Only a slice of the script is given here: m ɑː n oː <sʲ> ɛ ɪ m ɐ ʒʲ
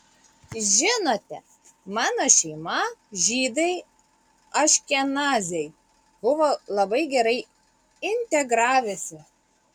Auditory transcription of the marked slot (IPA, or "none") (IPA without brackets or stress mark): ʃʲ